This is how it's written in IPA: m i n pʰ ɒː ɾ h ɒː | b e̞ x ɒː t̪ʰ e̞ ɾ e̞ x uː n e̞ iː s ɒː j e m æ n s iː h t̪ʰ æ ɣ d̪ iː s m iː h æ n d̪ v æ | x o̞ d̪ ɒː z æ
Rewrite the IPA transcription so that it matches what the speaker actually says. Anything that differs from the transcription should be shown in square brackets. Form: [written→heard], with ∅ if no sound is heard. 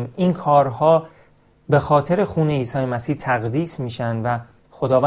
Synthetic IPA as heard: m i n [pʰ→kʰ] ɒː ɾ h ɒː | b e̞ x ɒː t̪ʰ e̞ ɾ e̞ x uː n e̞ iː s ɒː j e m æ [n→∅] s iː h t̪ʰ æ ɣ d̪ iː s m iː [h→ʃ] æ n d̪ v æ | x o̞ d̪ ɒː [z→v] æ